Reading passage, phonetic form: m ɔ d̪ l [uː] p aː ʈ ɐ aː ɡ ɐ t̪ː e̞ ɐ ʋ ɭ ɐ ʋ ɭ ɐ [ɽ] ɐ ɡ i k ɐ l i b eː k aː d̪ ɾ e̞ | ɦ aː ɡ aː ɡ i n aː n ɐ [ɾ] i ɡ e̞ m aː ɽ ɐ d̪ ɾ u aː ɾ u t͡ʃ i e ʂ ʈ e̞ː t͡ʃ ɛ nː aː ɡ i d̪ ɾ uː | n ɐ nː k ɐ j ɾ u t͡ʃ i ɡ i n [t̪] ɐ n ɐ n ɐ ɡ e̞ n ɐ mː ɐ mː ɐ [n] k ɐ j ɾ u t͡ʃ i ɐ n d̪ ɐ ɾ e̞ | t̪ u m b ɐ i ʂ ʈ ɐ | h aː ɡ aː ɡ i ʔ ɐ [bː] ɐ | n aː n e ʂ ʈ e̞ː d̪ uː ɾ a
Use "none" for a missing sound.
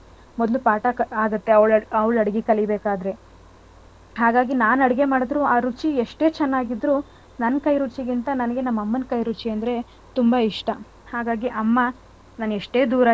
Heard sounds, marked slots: u, ɽ, ɽ, t̪, n, mː

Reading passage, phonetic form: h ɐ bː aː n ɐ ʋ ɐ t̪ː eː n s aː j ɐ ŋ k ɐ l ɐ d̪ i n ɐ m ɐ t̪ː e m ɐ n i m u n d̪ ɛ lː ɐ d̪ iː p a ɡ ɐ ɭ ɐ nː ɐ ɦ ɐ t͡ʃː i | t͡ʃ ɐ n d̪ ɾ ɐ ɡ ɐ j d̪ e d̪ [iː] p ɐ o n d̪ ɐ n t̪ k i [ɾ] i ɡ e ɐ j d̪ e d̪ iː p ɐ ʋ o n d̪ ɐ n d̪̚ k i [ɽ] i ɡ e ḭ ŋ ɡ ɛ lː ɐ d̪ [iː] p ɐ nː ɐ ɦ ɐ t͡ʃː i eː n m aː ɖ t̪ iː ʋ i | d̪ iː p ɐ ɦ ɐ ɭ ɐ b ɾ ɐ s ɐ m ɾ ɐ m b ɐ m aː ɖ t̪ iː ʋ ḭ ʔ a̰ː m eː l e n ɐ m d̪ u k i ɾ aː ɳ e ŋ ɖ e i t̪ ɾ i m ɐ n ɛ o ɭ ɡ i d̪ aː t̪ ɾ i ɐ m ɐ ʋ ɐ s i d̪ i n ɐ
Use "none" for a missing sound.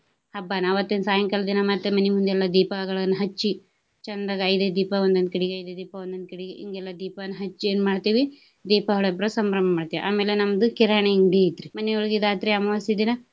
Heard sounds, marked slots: iː, ɽ, ɽ, iː

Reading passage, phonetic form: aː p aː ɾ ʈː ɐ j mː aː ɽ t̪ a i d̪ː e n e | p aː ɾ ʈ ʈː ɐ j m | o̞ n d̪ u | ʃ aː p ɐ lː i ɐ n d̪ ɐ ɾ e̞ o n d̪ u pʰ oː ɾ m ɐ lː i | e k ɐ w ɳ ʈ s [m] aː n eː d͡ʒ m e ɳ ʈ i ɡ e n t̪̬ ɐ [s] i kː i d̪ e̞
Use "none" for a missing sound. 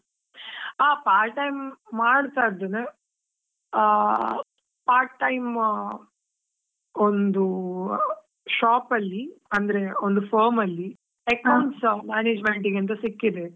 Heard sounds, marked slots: m, s

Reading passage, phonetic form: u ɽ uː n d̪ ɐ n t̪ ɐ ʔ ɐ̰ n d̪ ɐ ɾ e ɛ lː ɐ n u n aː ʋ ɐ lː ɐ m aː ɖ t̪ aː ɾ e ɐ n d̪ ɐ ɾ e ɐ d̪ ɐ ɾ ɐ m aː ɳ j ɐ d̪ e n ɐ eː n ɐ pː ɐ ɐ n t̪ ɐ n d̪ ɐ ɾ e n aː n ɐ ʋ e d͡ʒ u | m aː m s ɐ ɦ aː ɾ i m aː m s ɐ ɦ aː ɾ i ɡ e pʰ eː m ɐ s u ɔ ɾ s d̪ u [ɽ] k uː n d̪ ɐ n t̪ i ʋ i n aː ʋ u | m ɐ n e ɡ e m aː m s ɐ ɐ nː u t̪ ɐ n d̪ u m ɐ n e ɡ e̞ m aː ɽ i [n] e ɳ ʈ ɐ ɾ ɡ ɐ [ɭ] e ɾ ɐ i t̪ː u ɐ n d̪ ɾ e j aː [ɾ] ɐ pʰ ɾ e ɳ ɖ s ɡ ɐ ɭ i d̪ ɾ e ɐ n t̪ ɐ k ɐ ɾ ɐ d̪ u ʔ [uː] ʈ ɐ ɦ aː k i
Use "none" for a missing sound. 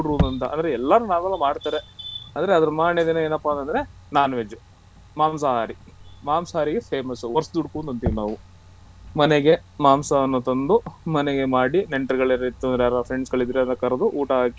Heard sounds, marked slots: ɽ, n, ɭ, ɾ, uː

